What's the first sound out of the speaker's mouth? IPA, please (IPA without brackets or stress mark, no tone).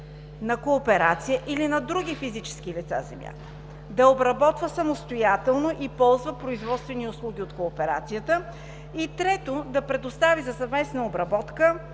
n